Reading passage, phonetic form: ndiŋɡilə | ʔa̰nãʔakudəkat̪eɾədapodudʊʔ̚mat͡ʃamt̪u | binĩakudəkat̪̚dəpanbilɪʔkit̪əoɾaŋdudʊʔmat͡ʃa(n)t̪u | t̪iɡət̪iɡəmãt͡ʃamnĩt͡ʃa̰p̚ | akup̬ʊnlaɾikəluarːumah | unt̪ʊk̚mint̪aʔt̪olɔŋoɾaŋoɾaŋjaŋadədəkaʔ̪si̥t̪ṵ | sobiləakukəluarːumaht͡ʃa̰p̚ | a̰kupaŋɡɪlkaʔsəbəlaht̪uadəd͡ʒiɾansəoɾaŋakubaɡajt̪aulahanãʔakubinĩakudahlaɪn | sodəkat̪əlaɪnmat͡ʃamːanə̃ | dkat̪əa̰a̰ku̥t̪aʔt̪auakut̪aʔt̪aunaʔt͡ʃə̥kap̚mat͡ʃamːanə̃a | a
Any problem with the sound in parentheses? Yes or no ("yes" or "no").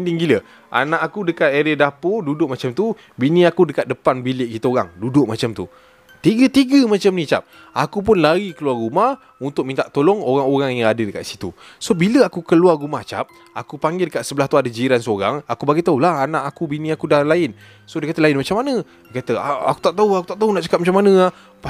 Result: yes